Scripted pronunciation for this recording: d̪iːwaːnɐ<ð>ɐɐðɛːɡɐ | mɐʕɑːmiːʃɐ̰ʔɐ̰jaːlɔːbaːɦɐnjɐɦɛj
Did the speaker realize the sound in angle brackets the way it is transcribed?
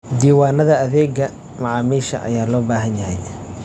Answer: yes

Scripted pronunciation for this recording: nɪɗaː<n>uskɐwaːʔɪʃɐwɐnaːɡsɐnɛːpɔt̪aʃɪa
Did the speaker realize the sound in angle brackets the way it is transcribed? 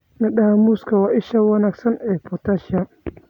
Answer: no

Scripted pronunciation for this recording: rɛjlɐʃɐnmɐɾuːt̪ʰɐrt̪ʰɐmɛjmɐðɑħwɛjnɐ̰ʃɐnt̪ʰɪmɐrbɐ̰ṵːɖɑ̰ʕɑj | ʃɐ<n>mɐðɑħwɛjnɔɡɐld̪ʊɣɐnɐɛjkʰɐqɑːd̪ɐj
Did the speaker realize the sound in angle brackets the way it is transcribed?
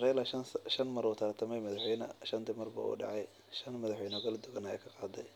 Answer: yes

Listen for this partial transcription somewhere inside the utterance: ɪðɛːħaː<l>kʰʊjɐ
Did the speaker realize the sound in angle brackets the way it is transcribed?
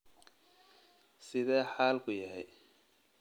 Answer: yes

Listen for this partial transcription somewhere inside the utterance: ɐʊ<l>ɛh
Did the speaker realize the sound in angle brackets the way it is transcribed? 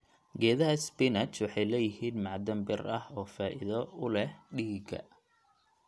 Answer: yes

